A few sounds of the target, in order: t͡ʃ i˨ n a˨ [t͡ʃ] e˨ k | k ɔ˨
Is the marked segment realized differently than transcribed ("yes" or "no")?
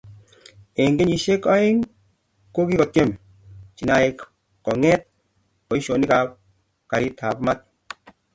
yes